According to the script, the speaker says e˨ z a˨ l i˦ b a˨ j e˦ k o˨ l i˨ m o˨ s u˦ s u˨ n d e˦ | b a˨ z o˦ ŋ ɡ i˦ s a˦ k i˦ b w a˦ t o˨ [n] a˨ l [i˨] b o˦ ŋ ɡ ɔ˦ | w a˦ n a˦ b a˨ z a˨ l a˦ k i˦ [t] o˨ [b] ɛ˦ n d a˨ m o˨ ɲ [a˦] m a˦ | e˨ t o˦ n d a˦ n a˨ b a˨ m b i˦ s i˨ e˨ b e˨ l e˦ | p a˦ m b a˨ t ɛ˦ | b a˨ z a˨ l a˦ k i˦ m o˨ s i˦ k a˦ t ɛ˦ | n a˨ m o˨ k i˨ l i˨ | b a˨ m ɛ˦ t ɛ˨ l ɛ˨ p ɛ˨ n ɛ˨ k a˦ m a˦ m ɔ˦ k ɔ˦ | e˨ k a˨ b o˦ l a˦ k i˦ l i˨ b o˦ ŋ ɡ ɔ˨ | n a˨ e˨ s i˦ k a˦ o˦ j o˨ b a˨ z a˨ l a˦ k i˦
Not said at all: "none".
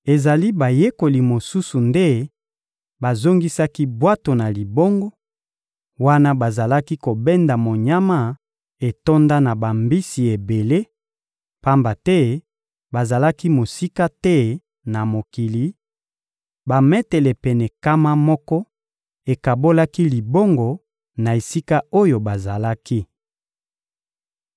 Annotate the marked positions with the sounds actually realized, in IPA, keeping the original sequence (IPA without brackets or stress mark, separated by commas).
n, i˨, k, b, a˦